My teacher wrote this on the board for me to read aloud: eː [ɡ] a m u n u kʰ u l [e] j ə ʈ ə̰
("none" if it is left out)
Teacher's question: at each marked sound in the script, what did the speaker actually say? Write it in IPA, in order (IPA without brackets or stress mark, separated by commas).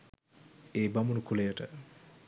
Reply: b, e